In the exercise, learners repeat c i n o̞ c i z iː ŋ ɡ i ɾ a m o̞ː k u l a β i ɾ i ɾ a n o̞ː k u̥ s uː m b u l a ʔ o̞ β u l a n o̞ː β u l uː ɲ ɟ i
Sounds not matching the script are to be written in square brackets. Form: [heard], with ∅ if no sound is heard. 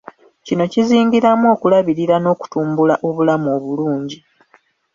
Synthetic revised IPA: c i n o̞ c i z iː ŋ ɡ i ɾ a m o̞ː k u l a β i ɾ i ɾ a n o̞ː k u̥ [t] uː m b u l a ʔ o̞ β u l a [m] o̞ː β u l uː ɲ ɟ i